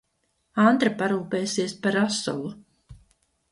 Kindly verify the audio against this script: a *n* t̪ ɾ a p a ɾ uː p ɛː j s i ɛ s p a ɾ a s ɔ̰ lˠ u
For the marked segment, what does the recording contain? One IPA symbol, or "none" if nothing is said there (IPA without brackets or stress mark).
n